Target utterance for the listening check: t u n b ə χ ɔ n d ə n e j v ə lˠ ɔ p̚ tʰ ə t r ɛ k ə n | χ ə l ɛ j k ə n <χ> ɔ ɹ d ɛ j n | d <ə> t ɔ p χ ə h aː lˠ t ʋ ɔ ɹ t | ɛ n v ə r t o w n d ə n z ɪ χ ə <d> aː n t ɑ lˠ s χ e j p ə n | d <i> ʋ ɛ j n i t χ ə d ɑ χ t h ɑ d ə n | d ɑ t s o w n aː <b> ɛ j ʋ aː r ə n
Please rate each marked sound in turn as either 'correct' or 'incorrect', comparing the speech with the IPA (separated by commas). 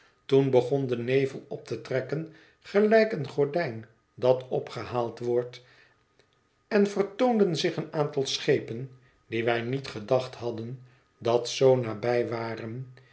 correct, incorrect, incorrect, correct, correct